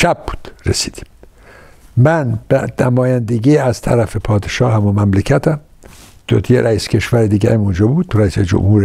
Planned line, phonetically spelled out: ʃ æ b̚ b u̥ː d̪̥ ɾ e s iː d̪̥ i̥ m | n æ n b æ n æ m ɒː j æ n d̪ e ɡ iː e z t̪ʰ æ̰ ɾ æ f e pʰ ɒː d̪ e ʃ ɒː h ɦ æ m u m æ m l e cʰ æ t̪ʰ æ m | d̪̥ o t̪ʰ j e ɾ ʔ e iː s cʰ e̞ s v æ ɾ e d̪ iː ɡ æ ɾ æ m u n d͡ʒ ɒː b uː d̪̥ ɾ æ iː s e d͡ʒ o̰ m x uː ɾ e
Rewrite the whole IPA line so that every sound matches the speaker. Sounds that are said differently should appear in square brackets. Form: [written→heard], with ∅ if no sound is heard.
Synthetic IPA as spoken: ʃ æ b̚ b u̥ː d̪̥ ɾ e s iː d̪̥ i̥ m | [n→m] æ n b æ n æ m ɒː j æ n d̪ e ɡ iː [e→æ] z t̪ʰ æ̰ ɾ æ f e pʰ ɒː d̪ e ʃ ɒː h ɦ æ m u m æ m l e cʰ æ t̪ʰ æ m | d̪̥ o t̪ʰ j e ɾ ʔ [e→æ] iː s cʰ e̞ [s→ʃ] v æ ɾ e d̪ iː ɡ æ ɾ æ m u n d͡ʒ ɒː b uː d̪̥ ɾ æ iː s e d͡ʒ o̰ m [x→h] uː ɾ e